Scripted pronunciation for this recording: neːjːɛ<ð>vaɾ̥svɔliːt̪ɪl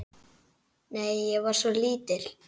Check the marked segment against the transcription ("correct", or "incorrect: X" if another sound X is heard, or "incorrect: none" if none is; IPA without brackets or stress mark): incorrect: ɣ